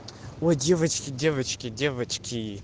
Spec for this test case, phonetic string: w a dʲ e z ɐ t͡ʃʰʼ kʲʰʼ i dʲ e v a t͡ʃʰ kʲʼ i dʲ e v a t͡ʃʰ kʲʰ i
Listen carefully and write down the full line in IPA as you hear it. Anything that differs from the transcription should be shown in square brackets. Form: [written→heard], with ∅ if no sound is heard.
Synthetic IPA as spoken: w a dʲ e [z→v] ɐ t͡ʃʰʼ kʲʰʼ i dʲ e v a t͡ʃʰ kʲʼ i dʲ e v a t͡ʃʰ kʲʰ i